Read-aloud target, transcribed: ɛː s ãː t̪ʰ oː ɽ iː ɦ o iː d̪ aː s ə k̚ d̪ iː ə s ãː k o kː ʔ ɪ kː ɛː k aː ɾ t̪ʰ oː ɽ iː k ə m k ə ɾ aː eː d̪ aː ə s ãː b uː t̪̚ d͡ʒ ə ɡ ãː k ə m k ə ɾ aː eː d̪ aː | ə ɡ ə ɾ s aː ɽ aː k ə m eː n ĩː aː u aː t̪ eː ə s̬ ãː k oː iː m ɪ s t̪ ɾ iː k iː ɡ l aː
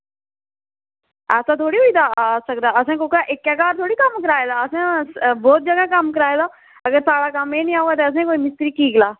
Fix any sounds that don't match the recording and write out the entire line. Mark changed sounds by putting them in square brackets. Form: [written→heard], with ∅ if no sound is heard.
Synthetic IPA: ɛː s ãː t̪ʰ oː ɽ iː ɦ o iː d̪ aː s ə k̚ d̪ [iː→aː] ə s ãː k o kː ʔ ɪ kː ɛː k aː ɾ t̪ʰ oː ɽ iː k ə m k ə ɾ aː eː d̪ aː ə s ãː b [uː→ɔː] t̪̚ d͡ʒ ə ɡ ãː k ə m k ə ɾ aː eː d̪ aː | ə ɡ ə ɾ s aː ɽ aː k ə m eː n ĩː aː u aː t̪ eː ə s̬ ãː k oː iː m ɪ s t̪ ɾ iː k iː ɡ l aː